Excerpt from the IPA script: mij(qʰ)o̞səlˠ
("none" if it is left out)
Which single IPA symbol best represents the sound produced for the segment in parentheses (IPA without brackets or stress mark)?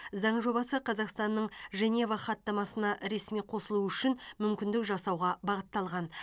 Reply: qʰ